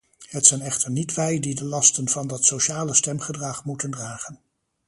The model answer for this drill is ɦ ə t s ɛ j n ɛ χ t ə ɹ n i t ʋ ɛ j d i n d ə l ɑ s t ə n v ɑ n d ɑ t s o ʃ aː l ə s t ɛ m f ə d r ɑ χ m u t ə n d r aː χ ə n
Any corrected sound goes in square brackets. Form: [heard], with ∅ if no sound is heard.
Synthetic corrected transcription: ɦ ə t s ɛ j n ɛ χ t ə ɹ n i t ʋ ɛ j d i [∅] d ə l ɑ s t ə n v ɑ n d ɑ t s o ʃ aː l ə s t ɛ m [χ] ə d r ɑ χ m u t ə n d r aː χ ə n